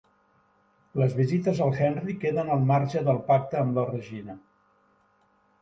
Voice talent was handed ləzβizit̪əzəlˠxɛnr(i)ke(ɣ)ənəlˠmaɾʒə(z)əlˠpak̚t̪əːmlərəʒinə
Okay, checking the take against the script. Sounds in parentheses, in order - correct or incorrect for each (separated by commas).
correct, incorrect, incorrect